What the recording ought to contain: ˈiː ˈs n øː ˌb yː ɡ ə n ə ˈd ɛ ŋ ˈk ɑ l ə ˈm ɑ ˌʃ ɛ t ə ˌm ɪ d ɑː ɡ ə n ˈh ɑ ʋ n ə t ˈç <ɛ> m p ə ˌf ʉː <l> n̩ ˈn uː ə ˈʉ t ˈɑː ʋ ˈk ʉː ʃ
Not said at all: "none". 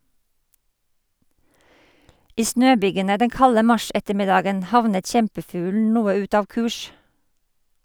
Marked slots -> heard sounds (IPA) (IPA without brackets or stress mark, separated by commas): ɛ, l